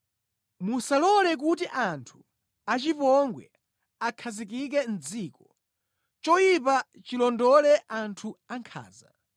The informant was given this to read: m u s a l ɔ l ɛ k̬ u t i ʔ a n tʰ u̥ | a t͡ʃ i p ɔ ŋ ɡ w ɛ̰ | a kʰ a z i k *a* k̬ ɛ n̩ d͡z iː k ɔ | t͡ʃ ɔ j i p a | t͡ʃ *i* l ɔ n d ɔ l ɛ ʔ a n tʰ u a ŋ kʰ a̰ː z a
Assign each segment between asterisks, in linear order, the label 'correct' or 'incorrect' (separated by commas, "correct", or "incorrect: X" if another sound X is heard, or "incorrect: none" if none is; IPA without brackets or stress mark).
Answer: incorrect: i, correct